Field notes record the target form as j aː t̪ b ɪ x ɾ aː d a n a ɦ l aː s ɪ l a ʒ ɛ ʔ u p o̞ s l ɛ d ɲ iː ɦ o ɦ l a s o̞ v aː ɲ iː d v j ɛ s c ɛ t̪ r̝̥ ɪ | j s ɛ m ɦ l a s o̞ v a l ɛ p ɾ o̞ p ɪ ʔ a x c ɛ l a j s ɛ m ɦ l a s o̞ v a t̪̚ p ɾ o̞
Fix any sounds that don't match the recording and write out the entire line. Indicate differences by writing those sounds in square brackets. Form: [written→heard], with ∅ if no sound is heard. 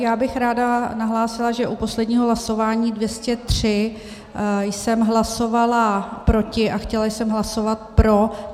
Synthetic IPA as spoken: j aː [t̪→∅] b ɪ x ɾ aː d a n a ɦ l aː s ɪ l a ʒ ɛ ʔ u p o̞ s l ɛ d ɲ iː ɦ o ɦ l a s o̞ v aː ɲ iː d v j ɛ s c ɛ t̪ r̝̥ ɪ | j s ɛ m ɦ l a s o̞ v a l [ɛ→a] p ɾ o̞ [p→c] ɪ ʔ a x c ɛ l a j s ɛ m ɦ l a s o̞ v a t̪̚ p ɾ o̞